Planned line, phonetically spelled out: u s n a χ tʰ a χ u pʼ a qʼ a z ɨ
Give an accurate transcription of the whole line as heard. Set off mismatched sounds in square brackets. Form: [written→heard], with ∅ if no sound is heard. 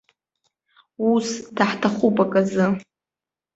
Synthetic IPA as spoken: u s [n→d] a [χ→ħ] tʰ a χ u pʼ a [qʼ→kʼ] a z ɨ